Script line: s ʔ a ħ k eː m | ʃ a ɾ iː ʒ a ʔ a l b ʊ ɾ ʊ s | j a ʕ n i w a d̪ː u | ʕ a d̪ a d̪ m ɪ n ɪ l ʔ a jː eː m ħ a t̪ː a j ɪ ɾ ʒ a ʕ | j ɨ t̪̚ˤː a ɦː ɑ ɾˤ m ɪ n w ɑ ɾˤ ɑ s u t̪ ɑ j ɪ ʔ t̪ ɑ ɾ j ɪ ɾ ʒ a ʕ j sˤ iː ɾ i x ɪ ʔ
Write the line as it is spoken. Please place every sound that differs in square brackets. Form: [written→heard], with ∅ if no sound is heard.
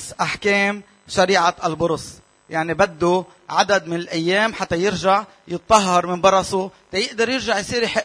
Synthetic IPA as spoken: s ʔ a ħ k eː m | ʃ a ɾ iː [ʒ→ʕ] a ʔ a l b ʊ ɾ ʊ s | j a ʕ n i [w→b] a d̪ː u | ʕ a d̪ a d̪ m ɪ n ɪ l ʔ a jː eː m ħ a t̪ː a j ɪ ɾ ʒ a ʕ | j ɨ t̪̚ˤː [a→ɑ] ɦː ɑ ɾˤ m ɪ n [w→b] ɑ ɾˤ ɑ s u t̪ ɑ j ɪ ʔ [t̪→d̪] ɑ ɾ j ɪ ɾ ʒ a ʕ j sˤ iː ɾ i [x→ħ] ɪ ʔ